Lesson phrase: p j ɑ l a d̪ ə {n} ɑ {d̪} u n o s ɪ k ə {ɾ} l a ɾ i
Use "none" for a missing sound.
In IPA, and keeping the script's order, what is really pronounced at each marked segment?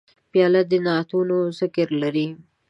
n, t̪, ɾ

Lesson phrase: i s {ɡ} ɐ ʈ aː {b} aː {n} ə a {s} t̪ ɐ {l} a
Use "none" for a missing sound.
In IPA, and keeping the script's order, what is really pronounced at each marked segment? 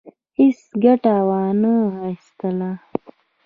ɡ, w, n, s, l

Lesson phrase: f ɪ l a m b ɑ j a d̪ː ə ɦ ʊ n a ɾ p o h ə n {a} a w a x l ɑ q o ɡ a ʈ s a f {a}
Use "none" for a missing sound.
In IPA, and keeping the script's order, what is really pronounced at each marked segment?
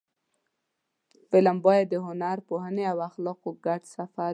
e, a

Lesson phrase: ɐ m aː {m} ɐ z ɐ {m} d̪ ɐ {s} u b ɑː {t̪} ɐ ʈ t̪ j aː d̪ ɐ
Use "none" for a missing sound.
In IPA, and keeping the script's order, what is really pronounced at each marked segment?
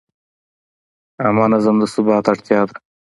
n, m, s, t̪

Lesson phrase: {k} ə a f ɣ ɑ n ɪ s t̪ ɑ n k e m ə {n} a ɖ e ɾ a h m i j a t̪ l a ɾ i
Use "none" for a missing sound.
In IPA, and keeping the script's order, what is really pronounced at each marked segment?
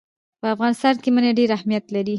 p, n

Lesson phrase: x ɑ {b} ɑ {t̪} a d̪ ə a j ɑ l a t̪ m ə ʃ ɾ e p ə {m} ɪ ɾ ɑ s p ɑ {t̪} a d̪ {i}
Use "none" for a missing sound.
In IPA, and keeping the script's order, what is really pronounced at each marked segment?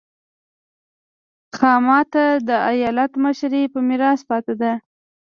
m, t̪, m, t̪, a

